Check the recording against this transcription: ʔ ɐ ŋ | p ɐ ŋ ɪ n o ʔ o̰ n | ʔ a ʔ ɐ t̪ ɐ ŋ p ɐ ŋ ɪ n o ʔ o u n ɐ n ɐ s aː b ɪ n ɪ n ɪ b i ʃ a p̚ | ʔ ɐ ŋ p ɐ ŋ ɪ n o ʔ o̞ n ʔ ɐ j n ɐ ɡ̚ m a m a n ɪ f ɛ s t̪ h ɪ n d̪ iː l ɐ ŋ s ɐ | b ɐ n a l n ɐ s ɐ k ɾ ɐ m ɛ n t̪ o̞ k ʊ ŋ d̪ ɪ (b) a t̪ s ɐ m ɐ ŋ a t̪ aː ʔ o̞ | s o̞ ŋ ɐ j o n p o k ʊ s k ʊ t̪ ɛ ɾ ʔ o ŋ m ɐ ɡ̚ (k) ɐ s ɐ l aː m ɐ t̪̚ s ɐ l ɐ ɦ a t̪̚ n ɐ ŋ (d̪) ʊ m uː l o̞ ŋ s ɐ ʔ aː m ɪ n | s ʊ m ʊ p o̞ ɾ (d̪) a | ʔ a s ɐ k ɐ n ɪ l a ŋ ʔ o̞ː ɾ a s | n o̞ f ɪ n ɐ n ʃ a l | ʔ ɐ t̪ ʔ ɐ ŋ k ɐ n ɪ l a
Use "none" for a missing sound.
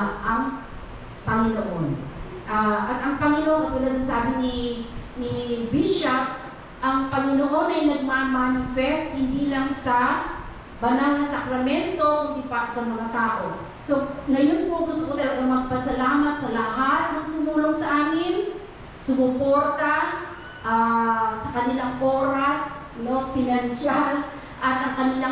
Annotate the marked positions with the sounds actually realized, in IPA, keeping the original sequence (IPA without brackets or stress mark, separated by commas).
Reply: p, p, t̪, t̪